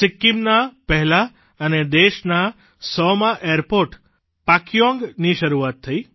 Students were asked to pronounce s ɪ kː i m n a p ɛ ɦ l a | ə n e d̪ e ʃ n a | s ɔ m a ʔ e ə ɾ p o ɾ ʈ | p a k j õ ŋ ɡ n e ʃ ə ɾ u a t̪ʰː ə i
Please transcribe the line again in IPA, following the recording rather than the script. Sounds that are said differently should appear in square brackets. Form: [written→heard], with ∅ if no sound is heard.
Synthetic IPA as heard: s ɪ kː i m n a p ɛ ɦ l a | ə n e d̪ e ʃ n a | s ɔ m a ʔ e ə ɾ p o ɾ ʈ | p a k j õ ŋ ɡ n [e→i] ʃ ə ɾ u a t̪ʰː ə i